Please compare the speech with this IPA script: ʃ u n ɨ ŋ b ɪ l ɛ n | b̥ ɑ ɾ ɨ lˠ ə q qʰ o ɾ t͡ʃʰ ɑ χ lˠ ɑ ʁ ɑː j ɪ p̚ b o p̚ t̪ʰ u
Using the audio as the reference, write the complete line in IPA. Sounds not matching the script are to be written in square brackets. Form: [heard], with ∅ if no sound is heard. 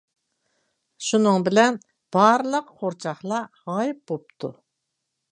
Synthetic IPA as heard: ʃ u n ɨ ŋ b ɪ l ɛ n | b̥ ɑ ɾ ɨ lˠ ə q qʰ o ɾ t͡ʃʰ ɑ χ lˠ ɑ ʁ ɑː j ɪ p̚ b o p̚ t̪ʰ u